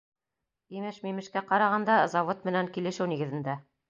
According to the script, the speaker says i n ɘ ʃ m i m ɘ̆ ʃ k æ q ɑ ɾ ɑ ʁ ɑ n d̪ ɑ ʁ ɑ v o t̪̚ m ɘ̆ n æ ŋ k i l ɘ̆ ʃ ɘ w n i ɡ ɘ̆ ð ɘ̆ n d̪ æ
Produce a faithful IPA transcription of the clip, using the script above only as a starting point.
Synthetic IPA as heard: i m ɘ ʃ m i m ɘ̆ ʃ k æ q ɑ ɾ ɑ ʁ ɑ n d̪ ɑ z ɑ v o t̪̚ m ɘ̆ n æ ŋ k i l ɘ̆ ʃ ɘ w n i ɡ ɘ̆ ð ɘ̆ n d̪ æ